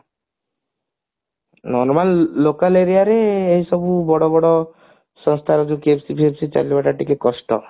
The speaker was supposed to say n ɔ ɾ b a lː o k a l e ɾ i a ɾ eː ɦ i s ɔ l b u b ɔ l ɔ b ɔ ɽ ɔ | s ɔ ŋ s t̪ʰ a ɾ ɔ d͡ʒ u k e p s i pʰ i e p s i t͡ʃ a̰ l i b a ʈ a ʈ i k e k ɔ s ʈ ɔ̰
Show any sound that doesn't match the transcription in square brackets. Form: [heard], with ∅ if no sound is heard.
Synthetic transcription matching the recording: n ɔ ɾ [m] a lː o k a l e ɾ i a ɾ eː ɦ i s ɔ [∅] b u b ɔ [ɽ] ɔ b ɔ ɽ ɔ | s ɔ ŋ s t̪ʰ a ɾ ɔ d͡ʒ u k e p s i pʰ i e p s i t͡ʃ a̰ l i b a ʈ a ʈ i k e k ɔ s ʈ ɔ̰